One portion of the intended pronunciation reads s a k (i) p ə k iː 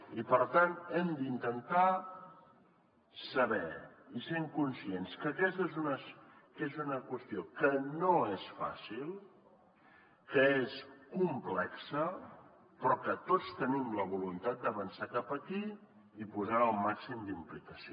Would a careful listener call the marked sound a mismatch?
yes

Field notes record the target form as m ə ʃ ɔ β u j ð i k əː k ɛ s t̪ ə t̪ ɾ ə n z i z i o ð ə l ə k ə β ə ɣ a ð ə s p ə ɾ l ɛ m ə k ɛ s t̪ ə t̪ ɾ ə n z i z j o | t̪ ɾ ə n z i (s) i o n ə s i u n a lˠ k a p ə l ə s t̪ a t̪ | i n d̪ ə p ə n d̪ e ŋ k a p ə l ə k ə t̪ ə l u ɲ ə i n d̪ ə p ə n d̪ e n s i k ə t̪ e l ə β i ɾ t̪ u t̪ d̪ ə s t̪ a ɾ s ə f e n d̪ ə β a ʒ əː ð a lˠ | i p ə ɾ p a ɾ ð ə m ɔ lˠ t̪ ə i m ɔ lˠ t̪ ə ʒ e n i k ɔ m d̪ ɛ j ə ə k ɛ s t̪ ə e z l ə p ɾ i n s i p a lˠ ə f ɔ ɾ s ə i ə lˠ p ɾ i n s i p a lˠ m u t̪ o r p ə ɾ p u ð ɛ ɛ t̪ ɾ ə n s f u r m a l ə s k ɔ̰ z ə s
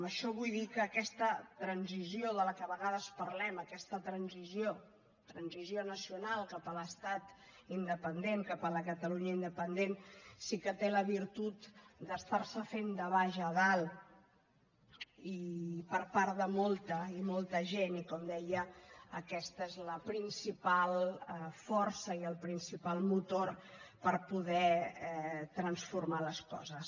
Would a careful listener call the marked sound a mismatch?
yes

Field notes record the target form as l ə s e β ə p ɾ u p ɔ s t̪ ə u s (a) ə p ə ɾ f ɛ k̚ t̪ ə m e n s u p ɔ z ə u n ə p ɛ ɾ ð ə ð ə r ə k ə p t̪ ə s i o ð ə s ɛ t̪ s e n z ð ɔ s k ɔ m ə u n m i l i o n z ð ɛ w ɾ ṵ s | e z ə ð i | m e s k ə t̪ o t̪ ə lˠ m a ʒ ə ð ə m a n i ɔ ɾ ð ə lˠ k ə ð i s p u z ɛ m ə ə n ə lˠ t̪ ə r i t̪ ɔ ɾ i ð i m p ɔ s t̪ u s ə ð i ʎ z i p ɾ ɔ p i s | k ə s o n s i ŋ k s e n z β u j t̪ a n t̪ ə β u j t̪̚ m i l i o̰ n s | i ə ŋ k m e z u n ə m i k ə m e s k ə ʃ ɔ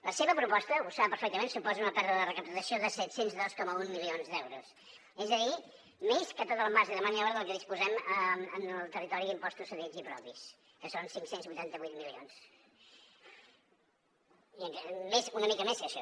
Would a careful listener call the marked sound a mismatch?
no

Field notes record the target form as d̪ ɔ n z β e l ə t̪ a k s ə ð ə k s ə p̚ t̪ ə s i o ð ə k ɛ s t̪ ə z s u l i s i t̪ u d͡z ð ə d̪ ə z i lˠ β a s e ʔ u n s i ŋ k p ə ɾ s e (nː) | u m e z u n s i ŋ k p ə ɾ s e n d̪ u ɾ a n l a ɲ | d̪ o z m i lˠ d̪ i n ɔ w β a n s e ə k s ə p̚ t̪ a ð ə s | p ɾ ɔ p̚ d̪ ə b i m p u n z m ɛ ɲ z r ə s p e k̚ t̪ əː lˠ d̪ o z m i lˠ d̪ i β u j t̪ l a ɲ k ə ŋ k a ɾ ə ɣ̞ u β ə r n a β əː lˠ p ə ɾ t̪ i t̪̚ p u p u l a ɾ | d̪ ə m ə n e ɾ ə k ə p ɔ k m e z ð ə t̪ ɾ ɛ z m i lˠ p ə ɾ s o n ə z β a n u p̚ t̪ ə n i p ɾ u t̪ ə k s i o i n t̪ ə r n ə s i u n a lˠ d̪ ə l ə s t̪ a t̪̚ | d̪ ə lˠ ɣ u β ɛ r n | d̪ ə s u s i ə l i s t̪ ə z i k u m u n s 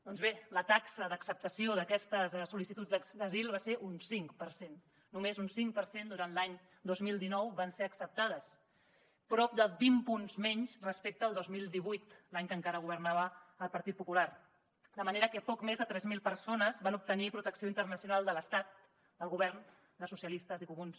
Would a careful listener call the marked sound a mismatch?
no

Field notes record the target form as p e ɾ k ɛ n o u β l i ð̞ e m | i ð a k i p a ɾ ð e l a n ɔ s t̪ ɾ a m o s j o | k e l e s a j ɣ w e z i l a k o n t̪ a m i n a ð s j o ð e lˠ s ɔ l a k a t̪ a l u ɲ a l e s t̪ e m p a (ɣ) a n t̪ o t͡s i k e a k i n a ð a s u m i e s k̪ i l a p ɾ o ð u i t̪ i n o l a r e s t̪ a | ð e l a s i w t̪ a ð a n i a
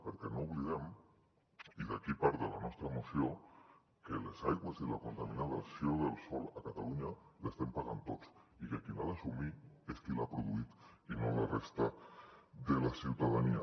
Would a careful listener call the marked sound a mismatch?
no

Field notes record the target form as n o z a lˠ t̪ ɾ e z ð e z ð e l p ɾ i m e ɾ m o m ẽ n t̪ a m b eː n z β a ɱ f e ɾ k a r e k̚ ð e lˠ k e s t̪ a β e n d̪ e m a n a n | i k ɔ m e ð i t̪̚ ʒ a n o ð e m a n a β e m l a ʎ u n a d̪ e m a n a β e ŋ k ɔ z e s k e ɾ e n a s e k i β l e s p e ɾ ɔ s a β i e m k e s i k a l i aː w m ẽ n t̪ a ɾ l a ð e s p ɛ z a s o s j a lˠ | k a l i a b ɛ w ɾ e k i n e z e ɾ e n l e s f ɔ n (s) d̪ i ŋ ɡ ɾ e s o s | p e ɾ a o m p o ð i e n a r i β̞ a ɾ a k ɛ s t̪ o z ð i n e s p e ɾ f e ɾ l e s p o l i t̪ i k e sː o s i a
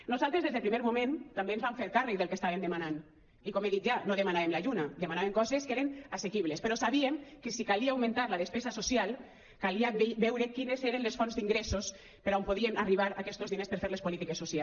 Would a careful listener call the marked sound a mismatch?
yes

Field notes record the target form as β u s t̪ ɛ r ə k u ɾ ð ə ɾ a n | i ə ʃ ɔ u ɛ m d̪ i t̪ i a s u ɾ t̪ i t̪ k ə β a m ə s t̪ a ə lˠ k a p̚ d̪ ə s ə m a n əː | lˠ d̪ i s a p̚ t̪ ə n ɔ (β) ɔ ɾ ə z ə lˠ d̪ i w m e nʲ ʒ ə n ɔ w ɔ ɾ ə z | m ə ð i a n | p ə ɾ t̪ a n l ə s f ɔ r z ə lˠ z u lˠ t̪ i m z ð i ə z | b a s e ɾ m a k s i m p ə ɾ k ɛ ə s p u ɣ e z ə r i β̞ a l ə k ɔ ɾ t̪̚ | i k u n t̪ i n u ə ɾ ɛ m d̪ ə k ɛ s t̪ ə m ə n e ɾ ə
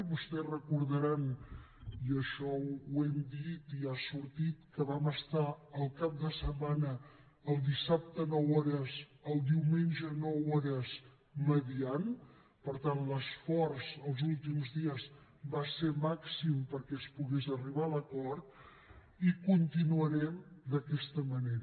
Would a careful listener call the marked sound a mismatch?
yes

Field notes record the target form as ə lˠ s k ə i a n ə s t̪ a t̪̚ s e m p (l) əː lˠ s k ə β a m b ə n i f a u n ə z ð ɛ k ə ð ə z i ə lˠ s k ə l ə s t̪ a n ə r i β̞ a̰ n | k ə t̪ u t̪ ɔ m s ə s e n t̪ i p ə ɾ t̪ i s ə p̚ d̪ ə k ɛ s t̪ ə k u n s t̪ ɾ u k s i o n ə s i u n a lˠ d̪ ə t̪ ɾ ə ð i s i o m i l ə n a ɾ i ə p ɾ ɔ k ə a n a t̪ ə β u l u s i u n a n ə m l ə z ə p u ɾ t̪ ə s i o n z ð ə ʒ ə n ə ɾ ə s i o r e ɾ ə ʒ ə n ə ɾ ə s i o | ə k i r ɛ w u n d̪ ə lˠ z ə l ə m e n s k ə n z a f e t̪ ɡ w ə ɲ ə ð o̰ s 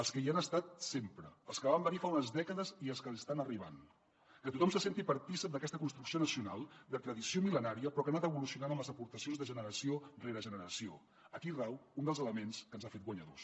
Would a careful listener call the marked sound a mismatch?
yes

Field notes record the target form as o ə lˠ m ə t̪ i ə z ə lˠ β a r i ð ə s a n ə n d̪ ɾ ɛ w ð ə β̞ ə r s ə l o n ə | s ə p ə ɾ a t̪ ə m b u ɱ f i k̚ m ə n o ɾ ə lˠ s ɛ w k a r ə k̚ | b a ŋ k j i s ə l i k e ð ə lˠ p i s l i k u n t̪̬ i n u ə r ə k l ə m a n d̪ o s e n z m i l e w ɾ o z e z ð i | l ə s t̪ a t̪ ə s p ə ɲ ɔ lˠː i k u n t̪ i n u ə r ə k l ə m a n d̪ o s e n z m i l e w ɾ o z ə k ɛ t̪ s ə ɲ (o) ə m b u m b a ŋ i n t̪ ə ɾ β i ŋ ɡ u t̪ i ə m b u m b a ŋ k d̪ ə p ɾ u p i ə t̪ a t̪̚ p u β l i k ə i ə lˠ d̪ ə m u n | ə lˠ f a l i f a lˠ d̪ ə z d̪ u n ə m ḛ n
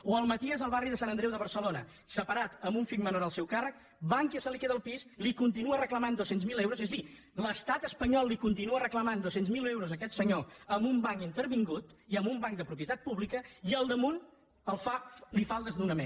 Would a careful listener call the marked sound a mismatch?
no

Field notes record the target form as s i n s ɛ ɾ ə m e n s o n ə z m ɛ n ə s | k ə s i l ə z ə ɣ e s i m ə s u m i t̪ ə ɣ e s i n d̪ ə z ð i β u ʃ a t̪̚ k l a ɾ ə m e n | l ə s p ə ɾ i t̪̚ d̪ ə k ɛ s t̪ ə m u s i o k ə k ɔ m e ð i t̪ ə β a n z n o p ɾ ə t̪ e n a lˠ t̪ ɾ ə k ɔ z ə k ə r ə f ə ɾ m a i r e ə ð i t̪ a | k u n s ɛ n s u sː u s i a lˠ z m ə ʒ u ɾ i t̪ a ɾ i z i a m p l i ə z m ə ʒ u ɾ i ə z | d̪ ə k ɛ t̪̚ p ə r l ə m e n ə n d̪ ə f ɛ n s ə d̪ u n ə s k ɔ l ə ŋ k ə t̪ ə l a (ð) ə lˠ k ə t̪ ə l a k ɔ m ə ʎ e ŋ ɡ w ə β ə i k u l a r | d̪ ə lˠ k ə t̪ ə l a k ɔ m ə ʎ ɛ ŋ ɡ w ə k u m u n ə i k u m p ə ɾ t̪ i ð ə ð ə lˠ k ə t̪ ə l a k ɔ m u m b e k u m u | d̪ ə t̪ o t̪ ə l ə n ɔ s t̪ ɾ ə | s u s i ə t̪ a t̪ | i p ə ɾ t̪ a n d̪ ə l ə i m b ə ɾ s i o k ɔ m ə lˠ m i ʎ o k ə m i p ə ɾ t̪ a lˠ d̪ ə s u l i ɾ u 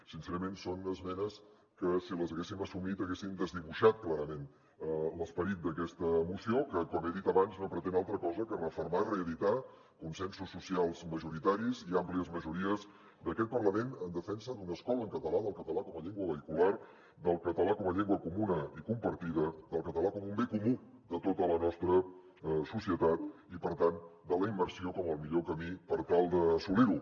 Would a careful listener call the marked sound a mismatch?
no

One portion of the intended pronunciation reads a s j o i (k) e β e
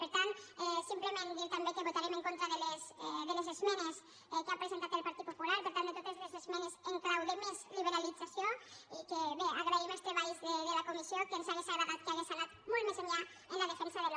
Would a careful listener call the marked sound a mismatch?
no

